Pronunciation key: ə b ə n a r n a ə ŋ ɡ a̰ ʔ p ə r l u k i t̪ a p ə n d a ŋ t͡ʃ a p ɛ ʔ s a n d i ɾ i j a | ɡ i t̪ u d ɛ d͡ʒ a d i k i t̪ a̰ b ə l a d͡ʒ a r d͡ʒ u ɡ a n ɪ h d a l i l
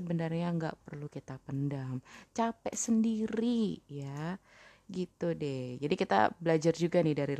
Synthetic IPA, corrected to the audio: ə b ə n a r ɲ a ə ŋ ɡ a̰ ʔ p ə r l u k i t̪ a p ə n d a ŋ t͡ʃ a p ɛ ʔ s ə n d i ɾ i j a | ɡ i t̪ u d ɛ d͡ʒ a d i k i t̪ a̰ b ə l a d͡ʒ a r d͡ʒ u ɡ a n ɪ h d a ɾ i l